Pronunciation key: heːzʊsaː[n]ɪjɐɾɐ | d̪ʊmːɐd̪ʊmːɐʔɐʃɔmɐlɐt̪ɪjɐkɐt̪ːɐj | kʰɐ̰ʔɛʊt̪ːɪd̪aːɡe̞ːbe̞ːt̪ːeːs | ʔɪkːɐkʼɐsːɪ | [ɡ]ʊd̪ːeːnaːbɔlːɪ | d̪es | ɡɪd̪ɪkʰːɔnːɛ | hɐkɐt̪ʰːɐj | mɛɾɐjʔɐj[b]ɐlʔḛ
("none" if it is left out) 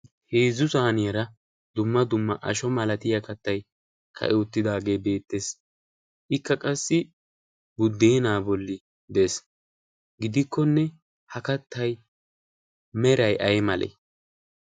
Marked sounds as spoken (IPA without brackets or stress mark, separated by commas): n, b, m